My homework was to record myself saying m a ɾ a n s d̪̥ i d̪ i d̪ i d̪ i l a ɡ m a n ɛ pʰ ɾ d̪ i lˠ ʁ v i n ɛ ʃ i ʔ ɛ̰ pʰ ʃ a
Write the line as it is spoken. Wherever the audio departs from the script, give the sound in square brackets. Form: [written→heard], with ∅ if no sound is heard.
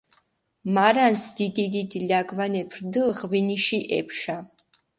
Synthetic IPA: m a ɾ a n s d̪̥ i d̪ i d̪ i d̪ i l a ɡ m a n ɛ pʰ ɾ d̪ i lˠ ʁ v i n [ɛ→i] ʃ i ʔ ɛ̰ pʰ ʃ a